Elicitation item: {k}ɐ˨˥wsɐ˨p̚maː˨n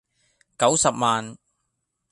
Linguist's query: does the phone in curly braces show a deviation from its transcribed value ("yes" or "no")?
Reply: no